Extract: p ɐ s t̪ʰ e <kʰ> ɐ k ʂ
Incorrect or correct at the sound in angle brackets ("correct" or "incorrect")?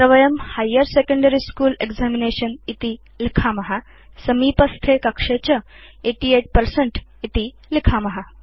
incorrect